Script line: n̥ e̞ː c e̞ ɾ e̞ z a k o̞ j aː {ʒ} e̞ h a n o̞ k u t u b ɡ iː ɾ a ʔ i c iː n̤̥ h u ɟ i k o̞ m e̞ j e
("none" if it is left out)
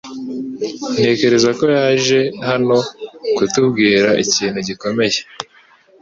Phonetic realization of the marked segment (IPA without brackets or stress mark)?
ʒ